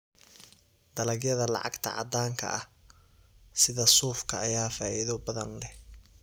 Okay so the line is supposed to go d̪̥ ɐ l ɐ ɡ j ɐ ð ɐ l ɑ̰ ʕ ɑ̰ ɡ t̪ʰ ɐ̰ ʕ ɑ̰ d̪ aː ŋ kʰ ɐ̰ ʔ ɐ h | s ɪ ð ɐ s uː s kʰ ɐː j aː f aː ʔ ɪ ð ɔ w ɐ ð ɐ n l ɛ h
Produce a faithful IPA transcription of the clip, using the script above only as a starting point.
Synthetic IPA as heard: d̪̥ ɐ l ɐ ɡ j ɐ ð ɐ l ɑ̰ ʕ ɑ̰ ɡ t̪ʰ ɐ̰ ʕ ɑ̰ d̪ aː ŋ kʰ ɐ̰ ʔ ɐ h | s ɪ ð ɐ s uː f kʰ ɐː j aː f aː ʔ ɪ ð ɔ b ɐ ð ɐ n l ɛ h